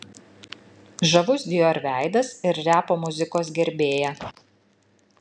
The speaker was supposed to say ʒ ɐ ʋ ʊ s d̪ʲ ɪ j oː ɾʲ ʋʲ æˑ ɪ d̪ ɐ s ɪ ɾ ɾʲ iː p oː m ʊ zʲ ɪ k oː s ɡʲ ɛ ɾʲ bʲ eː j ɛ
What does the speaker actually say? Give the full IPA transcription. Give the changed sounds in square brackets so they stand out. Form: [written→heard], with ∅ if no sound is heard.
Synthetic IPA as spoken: ʒ ɐ ʋ ʊ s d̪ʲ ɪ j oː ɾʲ ʋʲ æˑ ɪ d̪ ɐ s ɪ ɾ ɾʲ [iː→æː] p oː m ʊ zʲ ɪ k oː s ɡʲ ɛ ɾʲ bʲ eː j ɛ

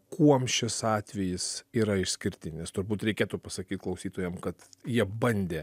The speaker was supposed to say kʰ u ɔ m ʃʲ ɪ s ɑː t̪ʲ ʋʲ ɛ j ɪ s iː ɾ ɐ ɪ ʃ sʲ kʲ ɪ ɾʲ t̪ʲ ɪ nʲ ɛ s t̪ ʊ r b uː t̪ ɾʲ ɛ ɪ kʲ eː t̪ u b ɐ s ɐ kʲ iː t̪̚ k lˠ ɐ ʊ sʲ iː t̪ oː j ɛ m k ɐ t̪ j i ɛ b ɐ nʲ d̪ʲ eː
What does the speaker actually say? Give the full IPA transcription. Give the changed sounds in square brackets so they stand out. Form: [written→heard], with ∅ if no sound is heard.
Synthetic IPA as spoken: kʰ u ɔ m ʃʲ ɪ s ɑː t̪ʲ ʋʲ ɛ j ɪ s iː ɾ ɐ ɪ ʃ sʲ kʲ ɪ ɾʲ t̪ʲ ɪ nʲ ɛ s t̪ ʊ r b uː t̪ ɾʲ ɛ ɪ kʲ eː t̪ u [b→p] ɐ s ɐ kʲ iː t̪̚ k lˠ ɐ ʊ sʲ iː t̪ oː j ɛ m k ɐ t̪ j i ɛ b ɐ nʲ d̪ʲ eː

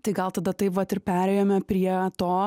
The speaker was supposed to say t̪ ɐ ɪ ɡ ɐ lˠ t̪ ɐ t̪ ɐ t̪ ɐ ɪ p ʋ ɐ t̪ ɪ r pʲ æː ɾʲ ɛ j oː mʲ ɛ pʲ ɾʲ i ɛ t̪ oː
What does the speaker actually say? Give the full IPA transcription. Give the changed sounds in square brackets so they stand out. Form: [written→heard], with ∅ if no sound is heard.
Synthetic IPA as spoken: t̪ ɐ ɪ ɡ ɐ lˠ t̪ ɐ [t̪→d̪] ɐ t̪ ɐ ɪ p ʋ ɐ t̪ ɪ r pʲ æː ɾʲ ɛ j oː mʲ ɛ pʲ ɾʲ i ɛ t̪ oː

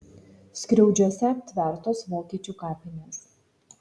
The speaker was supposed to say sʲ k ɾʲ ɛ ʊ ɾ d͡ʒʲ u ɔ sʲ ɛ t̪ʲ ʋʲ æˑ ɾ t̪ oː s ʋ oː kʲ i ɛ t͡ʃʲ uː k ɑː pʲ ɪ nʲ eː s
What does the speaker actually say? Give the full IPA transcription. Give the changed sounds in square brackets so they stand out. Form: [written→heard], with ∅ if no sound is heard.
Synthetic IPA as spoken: sʲ k ɾʲ ɛ ʊ [ɾ→∅] d͡ʒʲ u ɔ sʲ ɛ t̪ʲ ʋʲ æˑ ɾ t̪ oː s ʋ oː kʲ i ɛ t͡ʃʲ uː k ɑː pʲ ɪ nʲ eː s

